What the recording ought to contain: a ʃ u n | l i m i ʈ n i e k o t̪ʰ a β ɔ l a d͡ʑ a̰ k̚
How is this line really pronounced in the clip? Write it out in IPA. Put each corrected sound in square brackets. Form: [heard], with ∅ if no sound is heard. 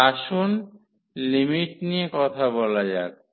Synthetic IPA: a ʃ u n | l i m i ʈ n i e k [ɔ] t̪ʰ a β ɔ l a d͡ʑ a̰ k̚